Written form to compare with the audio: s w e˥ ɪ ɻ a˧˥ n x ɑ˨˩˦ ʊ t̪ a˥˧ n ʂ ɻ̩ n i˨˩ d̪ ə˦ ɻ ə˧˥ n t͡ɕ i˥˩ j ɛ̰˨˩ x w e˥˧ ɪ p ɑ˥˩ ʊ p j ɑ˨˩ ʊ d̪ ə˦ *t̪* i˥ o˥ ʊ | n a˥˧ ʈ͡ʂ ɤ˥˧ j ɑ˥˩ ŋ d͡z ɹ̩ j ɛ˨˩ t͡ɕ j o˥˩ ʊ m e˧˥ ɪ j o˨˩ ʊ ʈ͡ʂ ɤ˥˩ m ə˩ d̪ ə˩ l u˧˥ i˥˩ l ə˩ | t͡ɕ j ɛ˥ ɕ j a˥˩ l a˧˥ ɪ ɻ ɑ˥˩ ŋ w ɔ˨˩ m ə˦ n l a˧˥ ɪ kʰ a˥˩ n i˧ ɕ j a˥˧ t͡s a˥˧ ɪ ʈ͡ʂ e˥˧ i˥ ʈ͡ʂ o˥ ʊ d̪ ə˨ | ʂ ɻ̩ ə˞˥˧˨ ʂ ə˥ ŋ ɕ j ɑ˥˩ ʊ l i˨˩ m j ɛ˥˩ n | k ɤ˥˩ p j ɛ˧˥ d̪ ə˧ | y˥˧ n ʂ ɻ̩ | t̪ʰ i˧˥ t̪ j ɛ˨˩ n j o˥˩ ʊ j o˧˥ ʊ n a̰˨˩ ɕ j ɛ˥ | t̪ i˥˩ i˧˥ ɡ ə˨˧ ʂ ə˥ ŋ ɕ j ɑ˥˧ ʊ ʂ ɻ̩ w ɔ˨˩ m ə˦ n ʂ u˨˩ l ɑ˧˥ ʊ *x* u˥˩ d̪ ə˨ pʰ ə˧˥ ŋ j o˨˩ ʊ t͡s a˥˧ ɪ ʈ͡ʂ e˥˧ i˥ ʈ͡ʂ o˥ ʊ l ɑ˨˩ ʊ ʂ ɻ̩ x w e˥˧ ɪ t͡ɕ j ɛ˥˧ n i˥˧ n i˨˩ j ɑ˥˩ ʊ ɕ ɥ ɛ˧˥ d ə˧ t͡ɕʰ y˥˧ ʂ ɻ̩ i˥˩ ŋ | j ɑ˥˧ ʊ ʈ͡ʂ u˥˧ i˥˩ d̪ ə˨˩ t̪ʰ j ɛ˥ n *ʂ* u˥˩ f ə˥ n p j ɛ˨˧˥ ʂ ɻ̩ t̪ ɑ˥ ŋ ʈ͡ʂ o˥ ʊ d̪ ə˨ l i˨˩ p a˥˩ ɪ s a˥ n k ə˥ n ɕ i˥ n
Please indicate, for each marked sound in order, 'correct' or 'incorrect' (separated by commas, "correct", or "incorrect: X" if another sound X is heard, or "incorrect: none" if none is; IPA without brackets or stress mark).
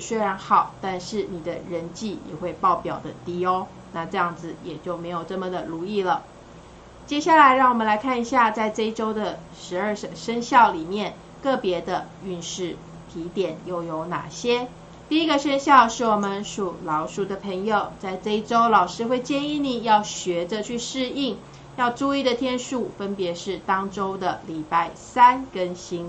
correct, incorrect: ʂ, correct